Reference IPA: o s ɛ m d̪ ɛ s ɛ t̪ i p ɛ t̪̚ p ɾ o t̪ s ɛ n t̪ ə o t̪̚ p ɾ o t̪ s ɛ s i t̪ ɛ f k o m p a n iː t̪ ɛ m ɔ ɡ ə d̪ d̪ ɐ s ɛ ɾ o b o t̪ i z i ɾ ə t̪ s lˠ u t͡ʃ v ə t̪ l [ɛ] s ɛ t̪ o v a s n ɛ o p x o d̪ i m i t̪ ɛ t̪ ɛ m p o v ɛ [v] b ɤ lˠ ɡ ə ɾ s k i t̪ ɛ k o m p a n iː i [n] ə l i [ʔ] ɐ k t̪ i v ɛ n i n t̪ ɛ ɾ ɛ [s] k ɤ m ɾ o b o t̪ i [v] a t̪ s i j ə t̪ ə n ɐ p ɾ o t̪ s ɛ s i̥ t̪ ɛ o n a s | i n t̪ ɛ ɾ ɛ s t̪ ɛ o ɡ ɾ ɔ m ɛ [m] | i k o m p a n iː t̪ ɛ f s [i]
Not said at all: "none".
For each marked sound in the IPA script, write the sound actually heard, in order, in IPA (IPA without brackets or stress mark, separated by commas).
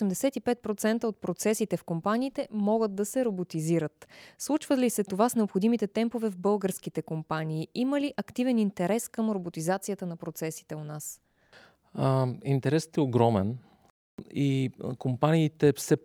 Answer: i, v, m, ʔ, s, z, n, ɛ